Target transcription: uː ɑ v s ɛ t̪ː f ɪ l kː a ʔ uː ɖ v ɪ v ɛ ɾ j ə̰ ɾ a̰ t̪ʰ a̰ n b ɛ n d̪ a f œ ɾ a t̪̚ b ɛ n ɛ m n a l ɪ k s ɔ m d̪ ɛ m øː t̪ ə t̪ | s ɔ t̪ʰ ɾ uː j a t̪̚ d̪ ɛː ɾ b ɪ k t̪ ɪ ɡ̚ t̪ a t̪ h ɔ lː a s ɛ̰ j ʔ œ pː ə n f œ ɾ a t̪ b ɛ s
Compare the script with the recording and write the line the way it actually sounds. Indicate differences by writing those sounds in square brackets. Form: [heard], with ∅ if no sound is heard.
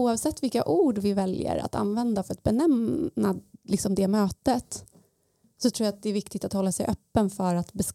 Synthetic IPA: uː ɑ v s ɛ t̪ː [v] ɪ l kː a ʔ uː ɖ v ɪ v ɛ [l] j ə̰ ɾ a̰ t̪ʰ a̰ n [v] ɛ n d̪ a f œ ɾ a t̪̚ b ɛ n ɛ m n a l ɪ k s ɔ m d̪ ɛ m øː t̪ ə t̪ | s ɔ t̪ʰ ɾ uː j a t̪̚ d̪ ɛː ɾ [v] ɪ k t̪ ɪ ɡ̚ t̪ a t̪ h ɔ lː a s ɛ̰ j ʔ œ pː ə n f œ ɾ a t̪ b ɛ s